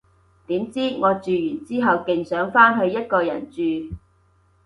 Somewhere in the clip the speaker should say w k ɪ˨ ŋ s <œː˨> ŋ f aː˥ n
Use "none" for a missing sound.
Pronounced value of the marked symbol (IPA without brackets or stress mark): œː˨˥